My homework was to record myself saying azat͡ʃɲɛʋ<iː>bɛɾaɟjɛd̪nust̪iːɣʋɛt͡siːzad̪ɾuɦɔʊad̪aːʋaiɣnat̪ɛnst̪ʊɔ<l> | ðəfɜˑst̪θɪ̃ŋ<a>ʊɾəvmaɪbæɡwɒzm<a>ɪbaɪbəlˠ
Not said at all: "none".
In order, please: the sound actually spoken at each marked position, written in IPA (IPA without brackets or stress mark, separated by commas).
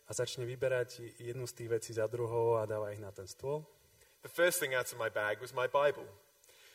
i, l, a, a